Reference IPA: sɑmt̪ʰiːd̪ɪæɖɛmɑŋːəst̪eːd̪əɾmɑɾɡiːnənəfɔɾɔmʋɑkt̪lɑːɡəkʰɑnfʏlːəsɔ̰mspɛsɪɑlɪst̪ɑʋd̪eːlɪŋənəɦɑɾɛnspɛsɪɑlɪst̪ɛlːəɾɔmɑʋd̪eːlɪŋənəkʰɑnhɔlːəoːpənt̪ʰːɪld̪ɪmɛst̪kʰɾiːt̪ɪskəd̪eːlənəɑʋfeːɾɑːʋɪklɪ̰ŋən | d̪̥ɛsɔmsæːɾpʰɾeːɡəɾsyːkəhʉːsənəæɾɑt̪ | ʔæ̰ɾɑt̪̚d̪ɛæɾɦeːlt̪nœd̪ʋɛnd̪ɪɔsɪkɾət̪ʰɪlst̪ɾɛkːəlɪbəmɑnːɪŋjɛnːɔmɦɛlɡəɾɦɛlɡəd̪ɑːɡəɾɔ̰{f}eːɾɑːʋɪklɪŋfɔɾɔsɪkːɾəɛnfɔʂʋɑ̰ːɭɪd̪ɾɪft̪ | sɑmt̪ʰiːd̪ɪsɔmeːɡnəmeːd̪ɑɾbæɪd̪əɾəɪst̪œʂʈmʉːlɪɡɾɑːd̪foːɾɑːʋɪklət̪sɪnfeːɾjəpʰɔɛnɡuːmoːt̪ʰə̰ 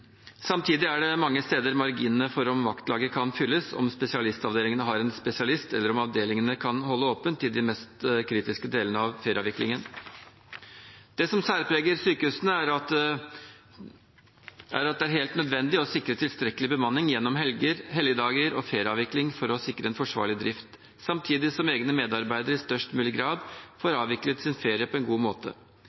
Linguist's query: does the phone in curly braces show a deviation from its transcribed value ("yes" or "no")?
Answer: no